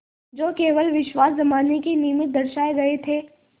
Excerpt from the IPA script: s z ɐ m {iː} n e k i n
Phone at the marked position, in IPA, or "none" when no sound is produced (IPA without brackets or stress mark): aː